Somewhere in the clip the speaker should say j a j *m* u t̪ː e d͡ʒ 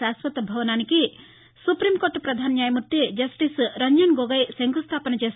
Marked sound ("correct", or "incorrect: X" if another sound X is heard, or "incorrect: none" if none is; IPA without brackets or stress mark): correct